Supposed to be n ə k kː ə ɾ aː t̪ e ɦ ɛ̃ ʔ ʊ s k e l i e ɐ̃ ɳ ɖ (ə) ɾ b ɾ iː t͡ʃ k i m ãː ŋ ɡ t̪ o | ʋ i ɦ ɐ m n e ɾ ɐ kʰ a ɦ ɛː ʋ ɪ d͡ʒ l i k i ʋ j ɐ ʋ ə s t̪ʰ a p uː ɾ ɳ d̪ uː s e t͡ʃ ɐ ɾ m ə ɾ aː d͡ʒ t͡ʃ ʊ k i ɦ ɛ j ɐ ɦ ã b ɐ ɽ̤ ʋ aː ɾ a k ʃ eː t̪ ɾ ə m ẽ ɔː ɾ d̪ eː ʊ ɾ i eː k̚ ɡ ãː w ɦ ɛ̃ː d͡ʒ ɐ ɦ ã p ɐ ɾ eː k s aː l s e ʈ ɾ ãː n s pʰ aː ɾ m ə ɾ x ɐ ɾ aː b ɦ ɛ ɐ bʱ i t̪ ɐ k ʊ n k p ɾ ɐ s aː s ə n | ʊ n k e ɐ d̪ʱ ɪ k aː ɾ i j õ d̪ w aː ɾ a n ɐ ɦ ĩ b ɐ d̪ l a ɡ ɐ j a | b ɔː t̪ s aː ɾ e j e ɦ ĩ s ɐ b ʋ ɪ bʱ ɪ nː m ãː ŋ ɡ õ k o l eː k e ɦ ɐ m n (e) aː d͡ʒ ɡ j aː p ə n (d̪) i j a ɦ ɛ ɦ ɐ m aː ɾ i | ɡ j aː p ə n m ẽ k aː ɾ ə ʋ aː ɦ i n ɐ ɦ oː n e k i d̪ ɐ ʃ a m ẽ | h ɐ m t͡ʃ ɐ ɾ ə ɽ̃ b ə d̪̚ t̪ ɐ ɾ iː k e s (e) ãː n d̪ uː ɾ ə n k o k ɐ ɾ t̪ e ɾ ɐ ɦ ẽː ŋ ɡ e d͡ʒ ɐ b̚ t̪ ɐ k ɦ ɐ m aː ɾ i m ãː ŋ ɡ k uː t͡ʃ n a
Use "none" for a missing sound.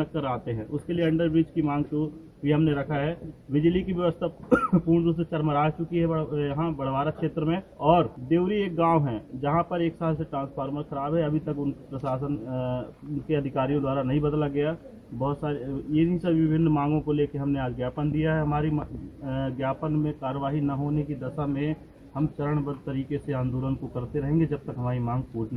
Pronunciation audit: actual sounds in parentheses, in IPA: ə, e, d̪, e

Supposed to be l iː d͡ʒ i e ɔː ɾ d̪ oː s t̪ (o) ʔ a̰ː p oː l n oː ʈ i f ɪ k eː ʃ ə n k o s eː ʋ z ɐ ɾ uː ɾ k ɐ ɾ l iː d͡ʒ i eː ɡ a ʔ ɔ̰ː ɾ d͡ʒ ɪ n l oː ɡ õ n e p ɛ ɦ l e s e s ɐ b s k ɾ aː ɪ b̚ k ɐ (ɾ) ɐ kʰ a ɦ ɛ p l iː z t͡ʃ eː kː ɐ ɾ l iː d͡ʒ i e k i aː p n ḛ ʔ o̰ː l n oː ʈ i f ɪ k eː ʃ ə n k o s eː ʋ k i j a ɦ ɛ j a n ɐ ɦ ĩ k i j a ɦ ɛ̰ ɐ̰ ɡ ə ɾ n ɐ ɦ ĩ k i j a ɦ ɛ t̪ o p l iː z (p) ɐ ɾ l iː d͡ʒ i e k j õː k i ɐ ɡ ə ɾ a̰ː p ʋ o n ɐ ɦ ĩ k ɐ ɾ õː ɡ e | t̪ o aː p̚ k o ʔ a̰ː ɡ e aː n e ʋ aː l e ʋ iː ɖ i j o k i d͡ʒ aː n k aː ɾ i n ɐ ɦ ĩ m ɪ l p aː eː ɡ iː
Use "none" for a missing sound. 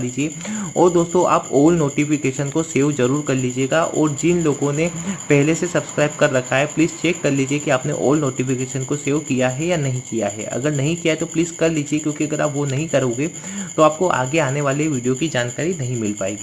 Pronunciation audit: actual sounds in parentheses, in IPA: õ, ɾː, k

